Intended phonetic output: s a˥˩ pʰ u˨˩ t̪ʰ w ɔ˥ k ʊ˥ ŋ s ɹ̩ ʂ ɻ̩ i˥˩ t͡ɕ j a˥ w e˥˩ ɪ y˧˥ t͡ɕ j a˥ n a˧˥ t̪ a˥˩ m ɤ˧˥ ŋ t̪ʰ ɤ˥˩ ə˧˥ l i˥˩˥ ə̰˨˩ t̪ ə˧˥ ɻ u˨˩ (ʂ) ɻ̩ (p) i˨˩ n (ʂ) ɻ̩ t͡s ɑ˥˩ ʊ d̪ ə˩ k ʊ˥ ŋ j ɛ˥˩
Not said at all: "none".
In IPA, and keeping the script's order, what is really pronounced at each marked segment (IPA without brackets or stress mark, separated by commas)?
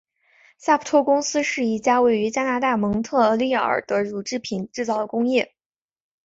ʈ͡ʂ, pʰ, ʈ͡ʂ